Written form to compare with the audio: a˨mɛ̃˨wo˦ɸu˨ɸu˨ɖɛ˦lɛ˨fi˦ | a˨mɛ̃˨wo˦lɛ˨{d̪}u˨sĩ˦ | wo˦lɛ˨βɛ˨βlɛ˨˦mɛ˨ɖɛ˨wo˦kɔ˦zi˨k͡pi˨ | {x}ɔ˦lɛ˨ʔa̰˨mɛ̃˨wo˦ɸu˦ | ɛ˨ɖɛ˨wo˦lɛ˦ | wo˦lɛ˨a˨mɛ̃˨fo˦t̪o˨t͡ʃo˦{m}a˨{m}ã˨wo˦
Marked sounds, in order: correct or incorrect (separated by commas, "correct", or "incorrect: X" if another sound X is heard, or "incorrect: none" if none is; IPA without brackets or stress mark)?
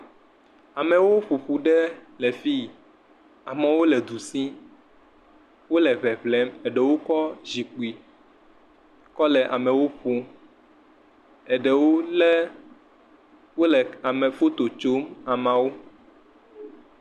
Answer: correct, incorrect: k, correct, correct